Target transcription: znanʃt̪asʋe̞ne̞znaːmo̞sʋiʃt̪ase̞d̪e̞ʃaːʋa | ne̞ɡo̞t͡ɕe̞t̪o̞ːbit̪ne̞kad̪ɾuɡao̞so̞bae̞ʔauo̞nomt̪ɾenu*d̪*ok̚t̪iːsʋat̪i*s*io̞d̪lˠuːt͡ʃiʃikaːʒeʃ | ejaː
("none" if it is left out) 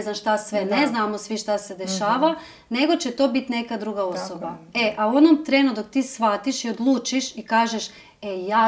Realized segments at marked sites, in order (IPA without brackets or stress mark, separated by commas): d̪, ʃ